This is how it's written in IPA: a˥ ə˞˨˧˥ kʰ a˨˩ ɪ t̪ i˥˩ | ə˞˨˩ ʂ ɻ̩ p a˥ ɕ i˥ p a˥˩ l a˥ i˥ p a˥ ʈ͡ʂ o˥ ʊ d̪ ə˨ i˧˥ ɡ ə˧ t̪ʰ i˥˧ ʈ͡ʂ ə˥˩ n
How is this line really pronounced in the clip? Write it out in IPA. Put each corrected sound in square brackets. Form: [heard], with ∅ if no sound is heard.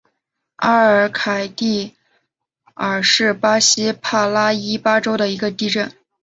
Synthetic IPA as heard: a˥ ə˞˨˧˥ kʰ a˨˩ ɪ t̪ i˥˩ | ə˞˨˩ ʂ ɻ̩ p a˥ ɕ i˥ [pʰ] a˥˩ l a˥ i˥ p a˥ ʈ͡ʂ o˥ ʊ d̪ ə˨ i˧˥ ɡ ə˧ [t̪] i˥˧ ʈ͡ʂ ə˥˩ n

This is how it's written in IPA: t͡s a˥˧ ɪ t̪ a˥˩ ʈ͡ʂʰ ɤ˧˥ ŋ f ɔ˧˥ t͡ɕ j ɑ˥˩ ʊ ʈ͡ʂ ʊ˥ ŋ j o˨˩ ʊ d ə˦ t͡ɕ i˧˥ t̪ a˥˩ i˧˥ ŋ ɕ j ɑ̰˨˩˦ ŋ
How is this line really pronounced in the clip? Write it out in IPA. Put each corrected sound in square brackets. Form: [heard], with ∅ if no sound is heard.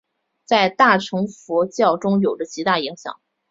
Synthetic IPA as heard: t͡s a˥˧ ɪ t̪ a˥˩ ʈ͡ʂʰ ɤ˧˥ ŋ f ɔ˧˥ t͡ɕ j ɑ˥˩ ʊ ʈ͡ʂ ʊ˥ ŋ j o˨˩ ʊ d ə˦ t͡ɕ i˧˥ t̪ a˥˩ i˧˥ ŋ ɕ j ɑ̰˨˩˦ ŋ

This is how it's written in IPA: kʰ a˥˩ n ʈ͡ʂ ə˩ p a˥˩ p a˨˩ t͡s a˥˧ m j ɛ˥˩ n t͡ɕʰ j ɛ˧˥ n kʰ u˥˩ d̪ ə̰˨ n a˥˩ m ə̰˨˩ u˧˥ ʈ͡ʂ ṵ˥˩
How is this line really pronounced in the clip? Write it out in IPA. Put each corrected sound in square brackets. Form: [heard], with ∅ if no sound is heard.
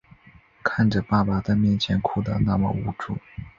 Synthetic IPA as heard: kʰ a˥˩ n ʈ͡ʂ ə˩ p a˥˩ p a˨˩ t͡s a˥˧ m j ɛ˥˩ n t͡ɕʰ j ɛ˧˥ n kʰ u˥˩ d̪ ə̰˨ n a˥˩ m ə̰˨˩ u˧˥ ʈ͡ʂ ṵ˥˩

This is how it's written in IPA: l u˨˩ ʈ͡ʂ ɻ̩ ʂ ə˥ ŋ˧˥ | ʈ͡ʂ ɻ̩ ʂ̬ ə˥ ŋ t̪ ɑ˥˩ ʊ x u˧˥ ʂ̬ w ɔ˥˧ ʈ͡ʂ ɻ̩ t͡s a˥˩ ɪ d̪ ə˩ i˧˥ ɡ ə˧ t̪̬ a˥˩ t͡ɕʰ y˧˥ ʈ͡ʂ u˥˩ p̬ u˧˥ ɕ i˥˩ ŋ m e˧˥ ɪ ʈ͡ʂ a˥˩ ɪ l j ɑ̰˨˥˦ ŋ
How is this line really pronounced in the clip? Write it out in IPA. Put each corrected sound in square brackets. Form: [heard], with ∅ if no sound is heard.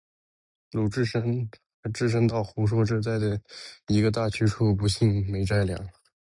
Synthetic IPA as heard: l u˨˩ ʈ͡ʂ ɻ̩ ʂ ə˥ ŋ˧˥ | ʈ͡ʂ ɻ̩ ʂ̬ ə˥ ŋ t̪ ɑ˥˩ ʊ x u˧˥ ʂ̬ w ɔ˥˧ ʈ͡ʂ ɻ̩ t͡s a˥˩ ɪ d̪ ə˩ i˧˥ ɡ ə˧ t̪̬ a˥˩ t͡ɕʰ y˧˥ [ʈ͡ʂʰ] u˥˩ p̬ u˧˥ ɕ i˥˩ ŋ m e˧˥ ɪ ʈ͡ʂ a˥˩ ɪ l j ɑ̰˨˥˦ ŋ

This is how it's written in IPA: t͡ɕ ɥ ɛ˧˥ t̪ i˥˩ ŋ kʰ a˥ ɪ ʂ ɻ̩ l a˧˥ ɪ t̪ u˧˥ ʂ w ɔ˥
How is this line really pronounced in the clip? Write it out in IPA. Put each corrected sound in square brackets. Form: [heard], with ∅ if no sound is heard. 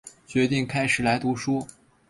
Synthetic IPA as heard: t͡ɕ ɥ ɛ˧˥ t̪ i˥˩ ŋ kʰ a˥ ɪ ʂ ɻ̩ l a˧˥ ɪ t̪ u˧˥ ʂ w ɔ˥

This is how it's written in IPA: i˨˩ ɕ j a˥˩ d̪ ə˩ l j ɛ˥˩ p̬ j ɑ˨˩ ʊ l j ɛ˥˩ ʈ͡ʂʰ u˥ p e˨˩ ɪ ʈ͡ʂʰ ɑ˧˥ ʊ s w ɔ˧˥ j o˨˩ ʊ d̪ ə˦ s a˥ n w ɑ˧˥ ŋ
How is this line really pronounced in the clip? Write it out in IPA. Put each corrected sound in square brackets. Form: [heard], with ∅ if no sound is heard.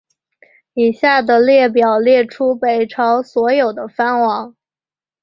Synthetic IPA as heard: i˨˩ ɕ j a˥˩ d̪ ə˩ l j ɛ˥˩ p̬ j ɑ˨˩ ʊ l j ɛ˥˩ ʈ͡ʂʰ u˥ p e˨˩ ɪ ʈ͡ʂʰ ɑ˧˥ ʊ s w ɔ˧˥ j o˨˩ ʊ d̪ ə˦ [f] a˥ n w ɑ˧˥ ŋ

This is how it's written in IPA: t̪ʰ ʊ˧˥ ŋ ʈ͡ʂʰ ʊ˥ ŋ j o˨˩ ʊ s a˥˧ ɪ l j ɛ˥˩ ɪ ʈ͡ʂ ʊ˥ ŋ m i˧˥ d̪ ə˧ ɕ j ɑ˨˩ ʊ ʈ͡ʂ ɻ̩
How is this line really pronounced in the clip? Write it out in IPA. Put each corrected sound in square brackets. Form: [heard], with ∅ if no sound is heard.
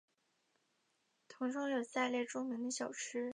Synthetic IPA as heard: t̪ʰ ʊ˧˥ ŋ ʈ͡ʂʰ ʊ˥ ŋ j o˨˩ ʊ s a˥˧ ɪ l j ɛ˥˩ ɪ ʈ͡ʂ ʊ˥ ŋ m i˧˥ d̪ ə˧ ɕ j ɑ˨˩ ʊ [ʈ͡ʂʰ] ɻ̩

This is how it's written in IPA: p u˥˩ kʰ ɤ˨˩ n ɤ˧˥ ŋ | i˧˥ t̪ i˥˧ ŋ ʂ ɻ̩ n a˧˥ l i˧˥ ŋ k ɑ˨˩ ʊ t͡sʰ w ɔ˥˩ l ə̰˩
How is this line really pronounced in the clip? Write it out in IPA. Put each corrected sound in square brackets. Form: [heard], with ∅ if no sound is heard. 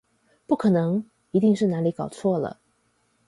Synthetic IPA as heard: p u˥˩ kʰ ɤ˨˩ n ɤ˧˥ ŋ | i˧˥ t̪ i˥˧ ŋ ʂ ɻ̩ n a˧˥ l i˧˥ [∅] k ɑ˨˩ ʊ t͡sʰ w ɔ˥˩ l ə̰˩

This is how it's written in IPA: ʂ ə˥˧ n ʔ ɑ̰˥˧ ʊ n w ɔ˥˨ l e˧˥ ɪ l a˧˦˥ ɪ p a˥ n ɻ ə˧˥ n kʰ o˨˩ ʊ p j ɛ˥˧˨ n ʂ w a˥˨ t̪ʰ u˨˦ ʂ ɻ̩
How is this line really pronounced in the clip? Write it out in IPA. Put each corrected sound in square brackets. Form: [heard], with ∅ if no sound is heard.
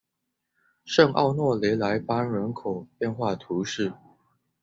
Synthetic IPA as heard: ʂ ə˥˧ [ŋ] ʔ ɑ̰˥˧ ʊ n w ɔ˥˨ l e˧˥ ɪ l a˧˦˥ ɪ p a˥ n ɻ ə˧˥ n kʰ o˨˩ ʊ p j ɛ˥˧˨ n [x] w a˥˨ t̪ʰ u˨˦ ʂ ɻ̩

